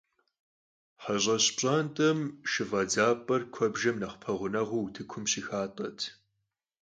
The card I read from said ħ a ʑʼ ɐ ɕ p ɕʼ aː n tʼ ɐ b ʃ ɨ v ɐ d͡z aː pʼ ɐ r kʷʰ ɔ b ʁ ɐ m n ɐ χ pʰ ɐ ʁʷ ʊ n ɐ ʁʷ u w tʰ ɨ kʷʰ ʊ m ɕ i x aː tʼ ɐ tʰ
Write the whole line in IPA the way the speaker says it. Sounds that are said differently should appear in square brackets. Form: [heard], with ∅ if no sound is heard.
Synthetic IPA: ħ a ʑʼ ɐ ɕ p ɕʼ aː n tʼ ɐ [m] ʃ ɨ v ɐ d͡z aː pʼ ɐ r kʷʰ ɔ b [ʒ] ɐ m n ɐ χ pʰ ɐ ʁʷ ʊ n ɐ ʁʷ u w tʰ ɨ kʷʰ ʊ m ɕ i x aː tʼ ɐ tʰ